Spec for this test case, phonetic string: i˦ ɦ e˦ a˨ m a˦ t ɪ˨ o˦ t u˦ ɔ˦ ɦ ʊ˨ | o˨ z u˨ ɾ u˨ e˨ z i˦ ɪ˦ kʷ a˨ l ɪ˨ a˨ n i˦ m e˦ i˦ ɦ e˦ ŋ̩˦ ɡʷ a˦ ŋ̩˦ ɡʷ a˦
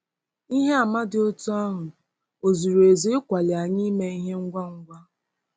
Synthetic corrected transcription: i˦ ɦ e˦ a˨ m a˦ d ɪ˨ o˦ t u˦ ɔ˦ ɦ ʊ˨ | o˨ z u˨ ɾ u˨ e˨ z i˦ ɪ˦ kʷ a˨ l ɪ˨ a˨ ɲ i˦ m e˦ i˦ ɦ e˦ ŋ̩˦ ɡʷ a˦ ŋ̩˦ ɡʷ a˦